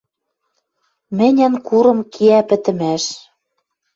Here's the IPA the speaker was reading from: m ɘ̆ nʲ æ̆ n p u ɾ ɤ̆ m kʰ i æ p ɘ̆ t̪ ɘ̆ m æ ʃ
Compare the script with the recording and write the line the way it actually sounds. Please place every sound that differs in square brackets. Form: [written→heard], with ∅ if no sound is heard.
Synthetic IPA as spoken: m ɘ̆ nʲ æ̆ n [p→k] u ɾ ɤ̆ m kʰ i æ p ɘ̆ t̪ ɘ̆ m æ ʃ